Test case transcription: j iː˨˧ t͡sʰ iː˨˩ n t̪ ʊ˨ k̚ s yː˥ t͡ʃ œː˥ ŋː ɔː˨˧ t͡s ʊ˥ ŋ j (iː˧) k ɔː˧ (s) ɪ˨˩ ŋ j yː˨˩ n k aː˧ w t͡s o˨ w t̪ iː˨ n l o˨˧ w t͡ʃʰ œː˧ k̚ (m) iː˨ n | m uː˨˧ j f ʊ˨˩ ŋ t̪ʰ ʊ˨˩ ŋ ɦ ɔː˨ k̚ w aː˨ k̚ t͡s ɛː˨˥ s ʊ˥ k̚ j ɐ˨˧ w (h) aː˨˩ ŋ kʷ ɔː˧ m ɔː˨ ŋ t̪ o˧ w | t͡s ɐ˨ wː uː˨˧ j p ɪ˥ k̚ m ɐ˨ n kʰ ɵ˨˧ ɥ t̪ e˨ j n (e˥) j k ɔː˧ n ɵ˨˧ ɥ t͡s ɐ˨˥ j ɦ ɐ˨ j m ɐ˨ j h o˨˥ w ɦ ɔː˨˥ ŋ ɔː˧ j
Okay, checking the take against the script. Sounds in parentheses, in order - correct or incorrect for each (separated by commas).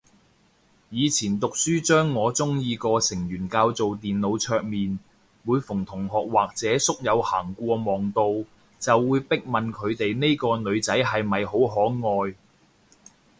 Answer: correct, correct, correct, correct, correct